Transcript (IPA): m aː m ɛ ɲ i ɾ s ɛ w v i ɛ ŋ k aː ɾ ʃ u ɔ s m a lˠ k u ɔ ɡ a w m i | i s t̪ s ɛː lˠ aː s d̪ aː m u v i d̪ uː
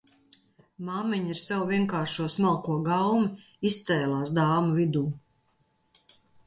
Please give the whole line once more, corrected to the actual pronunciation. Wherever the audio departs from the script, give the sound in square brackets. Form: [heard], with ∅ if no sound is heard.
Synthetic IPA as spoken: m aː m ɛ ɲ i ɾ s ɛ w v i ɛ ŋ k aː ɾ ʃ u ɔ s m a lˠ k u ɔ ɡ a w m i | i s t̪ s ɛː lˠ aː s d̪ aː m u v i d̪ uː